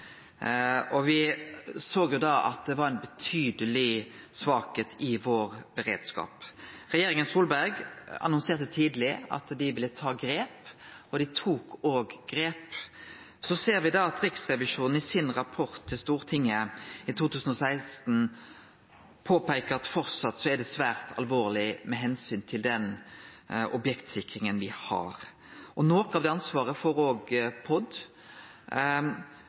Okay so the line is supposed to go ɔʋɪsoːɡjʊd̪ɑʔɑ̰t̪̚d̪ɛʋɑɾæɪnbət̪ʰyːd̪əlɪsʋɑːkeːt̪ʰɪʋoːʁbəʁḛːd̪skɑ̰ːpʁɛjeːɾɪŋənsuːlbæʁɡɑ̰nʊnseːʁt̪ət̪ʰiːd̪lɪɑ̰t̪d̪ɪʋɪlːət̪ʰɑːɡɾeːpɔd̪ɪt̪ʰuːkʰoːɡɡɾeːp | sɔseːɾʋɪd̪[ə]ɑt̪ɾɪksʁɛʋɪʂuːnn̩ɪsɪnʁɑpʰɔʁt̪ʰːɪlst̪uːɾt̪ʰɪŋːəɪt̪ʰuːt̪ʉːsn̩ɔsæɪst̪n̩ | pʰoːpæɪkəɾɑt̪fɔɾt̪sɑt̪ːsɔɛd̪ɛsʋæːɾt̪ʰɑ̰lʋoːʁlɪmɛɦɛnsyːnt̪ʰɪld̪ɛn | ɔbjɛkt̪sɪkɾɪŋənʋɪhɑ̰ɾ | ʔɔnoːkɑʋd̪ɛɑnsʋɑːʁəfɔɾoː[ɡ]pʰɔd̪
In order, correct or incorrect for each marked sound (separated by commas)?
incorrect, correct